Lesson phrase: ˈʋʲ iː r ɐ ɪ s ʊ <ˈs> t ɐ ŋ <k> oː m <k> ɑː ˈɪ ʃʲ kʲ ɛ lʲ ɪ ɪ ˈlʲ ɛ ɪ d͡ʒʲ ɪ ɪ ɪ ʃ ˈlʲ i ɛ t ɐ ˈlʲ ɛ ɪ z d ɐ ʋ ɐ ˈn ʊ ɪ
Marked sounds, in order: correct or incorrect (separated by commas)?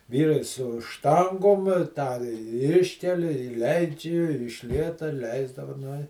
incorrect, incorrect, incorrect